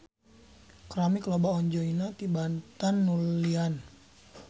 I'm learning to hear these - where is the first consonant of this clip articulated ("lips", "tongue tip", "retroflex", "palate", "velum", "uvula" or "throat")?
velum